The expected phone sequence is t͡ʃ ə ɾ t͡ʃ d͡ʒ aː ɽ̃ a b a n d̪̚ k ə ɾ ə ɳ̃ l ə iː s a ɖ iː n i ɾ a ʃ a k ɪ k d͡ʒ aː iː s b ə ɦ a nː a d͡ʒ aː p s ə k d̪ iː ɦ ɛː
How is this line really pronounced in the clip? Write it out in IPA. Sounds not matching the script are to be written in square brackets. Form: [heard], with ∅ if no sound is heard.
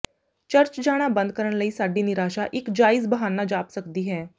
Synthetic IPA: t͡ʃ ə ɾ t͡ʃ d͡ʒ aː ɽ̃ a b [ə] n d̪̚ k ə ɾ ə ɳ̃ l ə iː s a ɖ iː n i ɾ a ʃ a [ʔ] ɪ k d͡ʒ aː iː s b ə ɦ a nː a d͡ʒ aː p s ə k d̪ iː ɦ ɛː